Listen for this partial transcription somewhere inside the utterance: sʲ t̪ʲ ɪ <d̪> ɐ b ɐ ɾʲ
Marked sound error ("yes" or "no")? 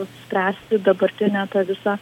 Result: no